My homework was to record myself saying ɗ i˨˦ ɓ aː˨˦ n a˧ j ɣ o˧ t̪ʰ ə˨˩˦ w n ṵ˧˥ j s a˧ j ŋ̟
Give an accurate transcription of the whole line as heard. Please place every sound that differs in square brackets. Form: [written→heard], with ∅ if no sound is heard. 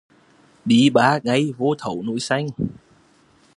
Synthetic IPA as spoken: ɗ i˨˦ ɓ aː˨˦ [n→ŋ] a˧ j [ɣ→v] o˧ t̪ʰ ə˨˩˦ w n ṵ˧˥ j s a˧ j ŋ̟